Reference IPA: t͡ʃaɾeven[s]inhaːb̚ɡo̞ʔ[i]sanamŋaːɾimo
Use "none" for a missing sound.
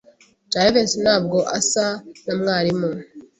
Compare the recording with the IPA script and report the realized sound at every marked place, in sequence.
s, a

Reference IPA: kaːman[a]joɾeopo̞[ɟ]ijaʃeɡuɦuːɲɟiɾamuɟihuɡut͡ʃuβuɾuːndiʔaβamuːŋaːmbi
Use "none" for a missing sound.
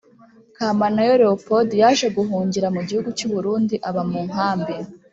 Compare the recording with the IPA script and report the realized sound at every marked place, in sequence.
a, d

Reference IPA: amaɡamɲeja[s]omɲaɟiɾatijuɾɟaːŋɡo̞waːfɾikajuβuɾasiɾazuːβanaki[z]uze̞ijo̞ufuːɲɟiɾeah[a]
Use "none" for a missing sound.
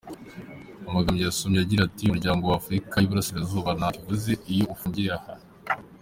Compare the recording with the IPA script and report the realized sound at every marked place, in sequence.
s, v, a

